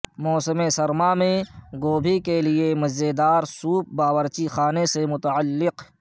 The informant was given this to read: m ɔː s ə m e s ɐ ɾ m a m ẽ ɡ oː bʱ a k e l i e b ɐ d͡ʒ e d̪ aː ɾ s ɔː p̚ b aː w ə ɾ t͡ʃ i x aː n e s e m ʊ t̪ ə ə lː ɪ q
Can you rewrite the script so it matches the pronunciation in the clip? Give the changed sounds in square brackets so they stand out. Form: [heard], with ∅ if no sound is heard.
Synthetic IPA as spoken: m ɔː s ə m e s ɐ ɾ m a m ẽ ɡ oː bʱ [i] k e l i e [m] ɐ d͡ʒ e d̪ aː ɾ s [uː] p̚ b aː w ə ɾ t͡ʃ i x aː n e s e m ʊ t̪ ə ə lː ɪ q